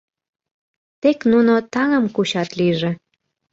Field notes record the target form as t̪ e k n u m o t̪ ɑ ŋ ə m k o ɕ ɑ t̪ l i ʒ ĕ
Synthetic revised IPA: t̪ e k n u n o t̪ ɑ ŋ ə m k u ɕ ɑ t̪ l i ʒ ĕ